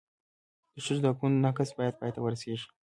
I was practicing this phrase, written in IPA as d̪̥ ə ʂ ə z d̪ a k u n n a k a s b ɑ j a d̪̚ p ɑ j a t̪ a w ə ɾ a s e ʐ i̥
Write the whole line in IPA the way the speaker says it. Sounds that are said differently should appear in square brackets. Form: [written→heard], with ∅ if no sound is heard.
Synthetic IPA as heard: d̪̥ ə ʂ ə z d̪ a k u n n a k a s b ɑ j a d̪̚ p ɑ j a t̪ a w ə ɾ a s e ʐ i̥